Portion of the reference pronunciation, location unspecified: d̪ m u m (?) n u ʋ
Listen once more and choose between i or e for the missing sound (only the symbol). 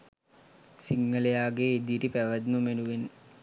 e